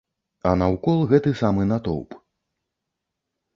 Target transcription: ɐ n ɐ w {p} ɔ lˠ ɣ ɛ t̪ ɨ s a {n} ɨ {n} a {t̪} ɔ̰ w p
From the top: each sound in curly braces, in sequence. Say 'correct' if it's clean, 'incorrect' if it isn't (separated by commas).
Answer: incorrect, incorrect, correct, correct